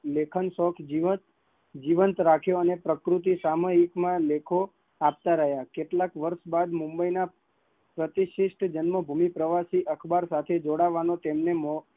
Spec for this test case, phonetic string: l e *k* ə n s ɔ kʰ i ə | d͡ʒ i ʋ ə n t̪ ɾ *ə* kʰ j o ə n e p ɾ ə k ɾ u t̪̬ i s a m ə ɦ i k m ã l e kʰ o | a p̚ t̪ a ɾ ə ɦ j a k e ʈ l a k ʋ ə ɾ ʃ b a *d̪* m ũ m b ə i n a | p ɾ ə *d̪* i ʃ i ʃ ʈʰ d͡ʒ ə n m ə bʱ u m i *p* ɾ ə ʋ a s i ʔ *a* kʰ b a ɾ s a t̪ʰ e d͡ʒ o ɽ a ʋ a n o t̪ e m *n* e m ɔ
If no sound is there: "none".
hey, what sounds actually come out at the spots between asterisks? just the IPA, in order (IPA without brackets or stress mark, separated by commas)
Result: kʰ, a, d̪, t̪, p, ə, n